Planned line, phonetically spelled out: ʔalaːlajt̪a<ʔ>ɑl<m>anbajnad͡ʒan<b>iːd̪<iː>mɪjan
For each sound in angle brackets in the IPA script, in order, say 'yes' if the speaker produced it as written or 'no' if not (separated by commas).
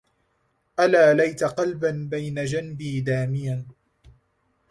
no, no, yes, no